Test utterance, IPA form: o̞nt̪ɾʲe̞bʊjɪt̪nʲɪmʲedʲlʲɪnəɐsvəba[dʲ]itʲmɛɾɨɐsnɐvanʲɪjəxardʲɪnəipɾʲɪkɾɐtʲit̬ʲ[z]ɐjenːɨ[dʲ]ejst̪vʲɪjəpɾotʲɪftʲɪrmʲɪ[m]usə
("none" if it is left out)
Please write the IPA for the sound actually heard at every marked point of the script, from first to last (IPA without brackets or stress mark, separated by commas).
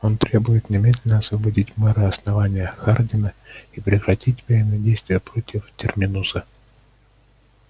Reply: dʲ, v, dʲ, n